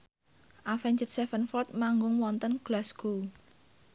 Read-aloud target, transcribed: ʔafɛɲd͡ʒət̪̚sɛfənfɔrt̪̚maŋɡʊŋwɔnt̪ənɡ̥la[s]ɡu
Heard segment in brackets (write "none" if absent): s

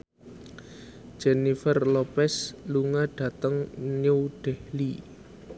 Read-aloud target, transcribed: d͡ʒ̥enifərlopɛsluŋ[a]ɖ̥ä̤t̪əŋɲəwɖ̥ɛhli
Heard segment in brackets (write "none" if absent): a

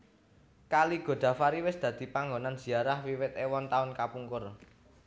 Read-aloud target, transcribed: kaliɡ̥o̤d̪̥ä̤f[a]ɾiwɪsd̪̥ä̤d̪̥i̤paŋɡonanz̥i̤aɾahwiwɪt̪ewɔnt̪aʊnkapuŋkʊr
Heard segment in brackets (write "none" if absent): a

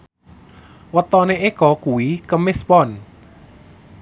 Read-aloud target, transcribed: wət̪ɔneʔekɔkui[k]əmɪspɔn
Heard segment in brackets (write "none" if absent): k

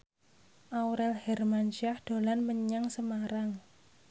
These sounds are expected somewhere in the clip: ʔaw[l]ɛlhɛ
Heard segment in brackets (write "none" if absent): ɾ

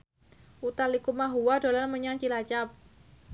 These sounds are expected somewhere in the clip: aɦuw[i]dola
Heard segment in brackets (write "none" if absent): a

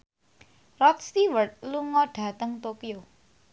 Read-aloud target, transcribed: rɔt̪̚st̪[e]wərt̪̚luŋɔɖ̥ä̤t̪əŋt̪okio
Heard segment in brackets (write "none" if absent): i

